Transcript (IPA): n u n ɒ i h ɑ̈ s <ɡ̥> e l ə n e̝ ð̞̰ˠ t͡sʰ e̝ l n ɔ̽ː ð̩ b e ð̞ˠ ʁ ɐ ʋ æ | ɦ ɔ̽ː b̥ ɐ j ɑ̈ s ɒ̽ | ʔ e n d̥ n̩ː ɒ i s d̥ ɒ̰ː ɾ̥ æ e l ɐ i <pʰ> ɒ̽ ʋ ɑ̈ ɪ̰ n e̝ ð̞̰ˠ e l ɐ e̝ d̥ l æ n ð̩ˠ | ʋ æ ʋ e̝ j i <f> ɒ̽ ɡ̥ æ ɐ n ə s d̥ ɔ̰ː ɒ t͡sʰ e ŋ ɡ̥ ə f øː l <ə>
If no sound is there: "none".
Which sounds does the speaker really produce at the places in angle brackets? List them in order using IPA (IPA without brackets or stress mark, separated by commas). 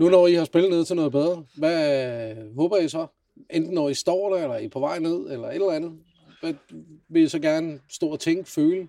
b̥, pʰ, s, ə